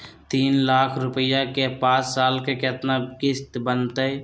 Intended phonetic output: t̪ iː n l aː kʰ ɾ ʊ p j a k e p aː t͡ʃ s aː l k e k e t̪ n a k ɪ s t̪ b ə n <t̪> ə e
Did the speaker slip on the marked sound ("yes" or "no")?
no